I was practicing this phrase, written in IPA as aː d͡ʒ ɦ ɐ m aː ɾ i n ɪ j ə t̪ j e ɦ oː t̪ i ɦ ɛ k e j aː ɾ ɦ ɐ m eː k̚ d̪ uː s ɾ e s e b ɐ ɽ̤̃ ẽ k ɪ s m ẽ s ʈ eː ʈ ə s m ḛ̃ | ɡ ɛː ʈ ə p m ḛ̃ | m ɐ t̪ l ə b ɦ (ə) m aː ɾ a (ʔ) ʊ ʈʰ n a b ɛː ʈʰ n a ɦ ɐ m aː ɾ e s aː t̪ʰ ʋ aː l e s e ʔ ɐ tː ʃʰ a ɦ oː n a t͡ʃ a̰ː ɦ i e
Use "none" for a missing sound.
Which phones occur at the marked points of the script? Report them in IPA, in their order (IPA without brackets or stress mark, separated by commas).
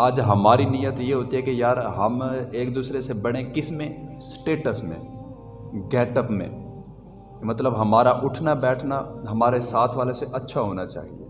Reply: ɐ, ʔ